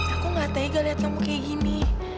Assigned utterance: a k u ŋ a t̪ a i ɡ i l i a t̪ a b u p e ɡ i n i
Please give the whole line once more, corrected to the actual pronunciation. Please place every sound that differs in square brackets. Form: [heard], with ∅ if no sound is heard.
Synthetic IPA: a k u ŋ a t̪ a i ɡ [a] l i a t̪ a [m] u [k] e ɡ i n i